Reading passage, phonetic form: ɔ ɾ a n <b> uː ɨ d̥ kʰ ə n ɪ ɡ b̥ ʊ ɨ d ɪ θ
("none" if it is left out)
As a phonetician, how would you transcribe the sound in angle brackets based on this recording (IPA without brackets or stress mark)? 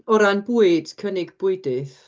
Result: b